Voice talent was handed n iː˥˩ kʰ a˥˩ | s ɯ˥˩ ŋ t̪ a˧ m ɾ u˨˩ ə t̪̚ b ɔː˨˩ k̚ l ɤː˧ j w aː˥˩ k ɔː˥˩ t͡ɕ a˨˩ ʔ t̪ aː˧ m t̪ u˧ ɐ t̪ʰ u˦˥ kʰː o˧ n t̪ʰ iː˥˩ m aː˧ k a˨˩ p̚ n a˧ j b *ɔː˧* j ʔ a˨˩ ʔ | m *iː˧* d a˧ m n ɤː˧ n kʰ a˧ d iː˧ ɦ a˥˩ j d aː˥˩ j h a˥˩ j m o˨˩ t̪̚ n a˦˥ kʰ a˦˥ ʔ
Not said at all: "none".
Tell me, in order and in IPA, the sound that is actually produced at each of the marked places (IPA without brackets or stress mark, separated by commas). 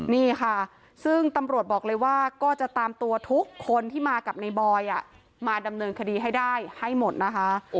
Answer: ɔː˧, aː˧